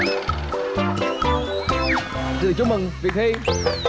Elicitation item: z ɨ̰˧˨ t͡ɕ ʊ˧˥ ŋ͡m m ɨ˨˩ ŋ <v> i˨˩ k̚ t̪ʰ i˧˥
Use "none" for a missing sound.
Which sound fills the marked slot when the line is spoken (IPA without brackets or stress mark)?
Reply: v